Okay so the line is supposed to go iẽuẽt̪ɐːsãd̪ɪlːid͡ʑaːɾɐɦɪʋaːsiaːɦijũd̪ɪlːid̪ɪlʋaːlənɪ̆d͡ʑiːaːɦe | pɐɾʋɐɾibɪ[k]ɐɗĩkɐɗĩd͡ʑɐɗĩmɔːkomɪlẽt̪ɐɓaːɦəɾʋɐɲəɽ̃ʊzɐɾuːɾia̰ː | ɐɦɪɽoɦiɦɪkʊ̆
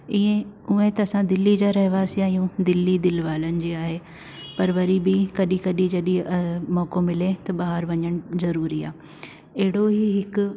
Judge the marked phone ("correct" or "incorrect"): correct